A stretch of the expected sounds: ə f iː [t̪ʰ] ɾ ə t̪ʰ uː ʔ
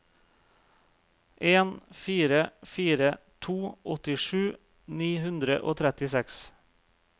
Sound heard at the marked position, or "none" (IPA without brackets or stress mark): none